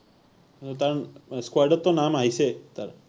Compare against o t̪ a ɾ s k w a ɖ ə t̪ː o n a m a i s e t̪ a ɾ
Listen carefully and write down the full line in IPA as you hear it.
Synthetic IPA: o t̪ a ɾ s k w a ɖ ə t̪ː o n a m a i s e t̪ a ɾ